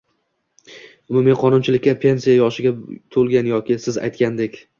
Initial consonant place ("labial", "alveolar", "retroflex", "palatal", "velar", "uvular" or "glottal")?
labial